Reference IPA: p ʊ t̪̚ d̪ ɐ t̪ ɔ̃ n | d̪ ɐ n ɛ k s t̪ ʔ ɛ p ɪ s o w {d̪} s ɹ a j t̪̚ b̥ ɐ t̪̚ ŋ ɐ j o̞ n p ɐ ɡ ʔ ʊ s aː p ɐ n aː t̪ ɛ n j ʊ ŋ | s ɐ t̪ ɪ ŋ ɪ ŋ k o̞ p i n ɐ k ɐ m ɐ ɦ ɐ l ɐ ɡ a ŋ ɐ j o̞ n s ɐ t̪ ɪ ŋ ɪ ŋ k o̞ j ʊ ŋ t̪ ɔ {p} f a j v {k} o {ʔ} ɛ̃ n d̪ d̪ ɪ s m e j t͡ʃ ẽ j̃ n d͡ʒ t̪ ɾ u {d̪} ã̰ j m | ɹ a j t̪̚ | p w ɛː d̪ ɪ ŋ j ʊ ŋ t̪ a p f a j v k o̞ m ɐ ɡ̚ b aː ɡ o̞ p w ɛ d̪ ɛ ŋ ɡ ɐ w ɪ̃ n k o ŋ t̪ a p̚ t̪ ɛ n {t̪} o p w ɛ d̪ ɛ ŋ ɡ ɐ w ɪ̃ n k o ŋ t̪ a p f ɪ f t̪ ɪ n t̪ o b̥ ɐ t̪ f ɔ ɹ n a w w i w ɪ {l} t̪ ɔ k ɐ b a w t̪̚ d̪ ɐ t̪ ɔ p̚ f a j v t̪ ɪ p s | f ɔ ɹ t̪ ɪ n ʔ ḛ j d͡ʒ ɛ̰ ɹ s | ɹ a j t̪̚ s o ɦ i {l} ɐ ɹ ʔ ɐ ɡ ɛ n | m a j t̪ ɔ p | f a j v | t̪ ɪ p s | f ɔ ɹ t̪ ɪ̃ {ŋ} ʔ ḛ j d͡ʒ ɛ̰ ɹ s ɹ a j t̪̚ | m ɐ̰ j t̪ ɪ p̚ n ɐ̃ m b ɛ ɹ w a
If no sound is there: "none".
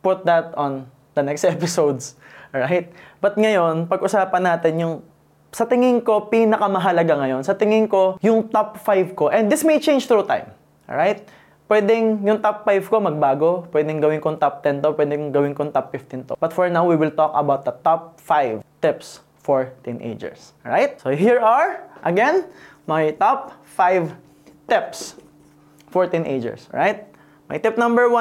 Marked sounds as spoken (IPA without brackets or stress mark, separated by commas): d̪, p, k, ʔ, t̪, t̪, l, ɹ, n